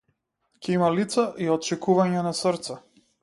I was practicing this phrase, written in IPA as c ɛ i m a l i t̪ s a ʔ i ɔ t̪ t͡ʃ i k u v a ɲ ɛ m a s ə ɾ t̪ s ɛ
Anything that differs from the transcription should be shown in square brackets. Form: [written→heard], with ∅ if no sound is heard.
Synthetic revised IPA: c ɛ i m a l i t̪ s a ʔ i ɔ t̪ t͡ʃ [i→ɛ] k u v a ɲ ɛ [m→n] a s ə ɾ t̪ s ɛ